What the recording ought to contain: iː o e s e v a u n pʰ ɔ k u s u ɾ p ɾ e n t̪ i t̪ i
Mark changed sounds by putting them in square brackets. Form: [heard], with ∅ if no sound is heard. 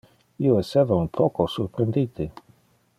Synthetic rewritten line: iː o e s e v a u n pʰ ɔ k [o] s u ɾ p ɾ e n [d̪] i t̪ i

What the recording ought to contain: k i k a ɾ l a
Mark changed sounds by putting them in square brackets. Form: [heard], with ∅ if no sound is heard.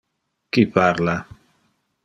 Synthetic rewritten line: k i [p] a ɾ l a

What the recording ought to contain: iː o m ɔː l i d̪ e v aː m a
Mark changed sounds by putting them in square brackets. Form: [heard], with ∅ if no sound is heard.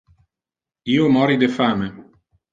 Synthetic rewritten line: iː o m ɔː [ɾ] i d̪ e [f] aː m [e]

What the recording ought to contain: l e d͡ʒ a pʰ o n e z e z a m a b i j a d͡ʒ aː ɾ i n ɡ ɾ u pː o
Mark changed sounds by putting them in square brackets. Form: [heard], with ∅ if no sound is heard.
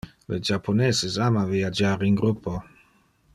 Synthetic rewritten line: l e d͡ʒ a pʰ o n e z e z a m a [v] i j a d͡ʒ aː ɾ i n ɡ ɾ u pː o

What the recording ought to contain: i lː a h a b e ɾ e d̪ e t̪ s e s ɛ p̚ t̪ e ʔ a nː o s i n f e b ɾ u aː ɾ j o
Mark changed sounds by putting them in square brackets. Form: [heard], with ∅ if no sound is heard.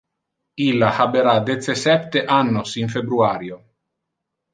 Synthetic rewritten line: i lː a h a b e ɾ [a] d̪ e t̪ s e s ɛ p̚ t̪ e ʔ a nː o s i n f e b ɾ u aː ɾ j o

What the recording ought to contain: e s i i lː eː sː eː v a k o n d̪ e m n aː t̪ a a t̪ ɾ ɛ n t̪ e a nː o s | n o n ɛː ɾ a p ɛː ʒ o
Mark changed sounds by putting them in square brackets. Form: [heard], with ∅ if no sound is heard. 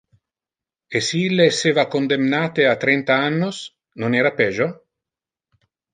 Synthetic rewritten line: e s i i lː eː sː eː v a k o n d̪ e m n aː t̪ [e] a t̪ ɾ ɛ n t̪ [a] a nː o s | n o n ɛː ɾ a p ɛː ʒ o

